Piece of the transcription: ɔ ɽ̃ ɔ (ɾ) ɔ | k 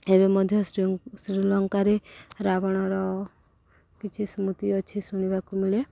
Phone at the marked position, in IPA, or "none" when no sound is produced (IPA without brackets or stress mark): ɾ